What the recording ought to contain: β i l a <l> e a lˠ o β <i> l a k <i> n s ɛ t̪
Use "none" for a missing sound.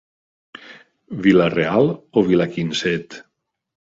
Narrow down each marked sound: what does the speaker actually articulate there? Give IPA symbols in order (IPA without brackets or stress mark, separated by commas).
r, i, i